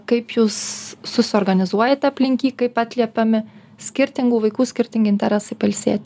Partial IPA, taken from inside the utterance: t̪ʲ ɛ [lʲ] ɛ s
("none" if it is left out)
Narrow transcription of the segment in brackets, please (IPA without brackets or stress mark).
ɾʲ